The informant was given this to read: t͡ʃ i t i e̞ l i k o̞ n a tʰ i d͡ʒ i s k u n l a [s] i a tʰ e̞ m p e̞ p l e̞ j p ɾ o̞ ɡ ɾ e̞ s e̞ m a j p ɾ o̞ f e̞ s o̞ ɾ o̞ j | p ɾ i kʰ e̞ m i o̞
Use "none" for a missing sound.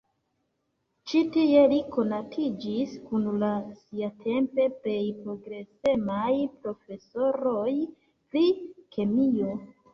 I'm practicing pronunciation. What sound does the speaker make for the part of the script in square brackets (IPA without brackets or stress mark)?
s